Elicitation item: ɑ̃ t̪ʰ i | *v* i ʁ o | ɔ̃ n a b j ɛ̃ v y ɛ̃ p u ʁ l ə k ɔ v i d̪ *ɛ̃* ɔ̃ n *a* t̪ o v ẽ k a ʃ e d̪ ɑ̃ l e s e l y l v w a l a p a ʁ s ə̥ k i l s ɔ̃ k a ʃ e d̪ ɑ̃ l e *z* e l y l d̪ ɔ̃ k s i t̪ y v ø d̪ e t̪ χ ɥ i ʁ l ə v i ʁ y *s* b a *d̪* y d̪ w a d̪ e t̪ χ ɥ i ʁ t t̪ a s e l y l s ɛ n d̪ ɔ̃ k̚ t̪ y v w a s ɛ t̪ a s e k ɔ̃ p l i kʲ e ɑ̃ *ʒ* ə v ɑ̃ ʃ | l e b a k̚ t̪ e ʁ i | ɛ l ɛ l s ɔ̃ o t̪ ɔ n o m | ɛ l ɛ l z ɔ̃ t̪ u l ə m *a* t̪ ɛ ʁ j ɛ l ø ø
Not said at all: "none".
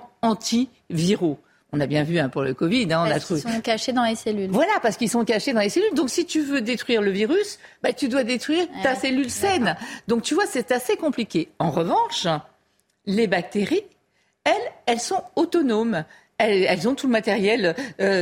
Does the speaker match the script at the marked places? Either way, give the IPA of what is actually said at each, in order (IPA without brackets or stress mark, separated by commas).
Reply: v, ɛ̃, a, s, s, t̪, ʁ, a